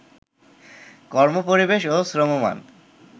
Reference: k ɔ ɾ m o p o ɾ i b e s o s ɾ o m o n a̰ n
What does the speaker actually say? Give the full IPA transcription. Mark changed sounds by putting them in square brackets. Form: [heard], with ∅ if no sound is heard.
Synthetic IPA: k ɔ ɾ m o p o ɾ i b e [ʃ] o s ɾ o m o [m] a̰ n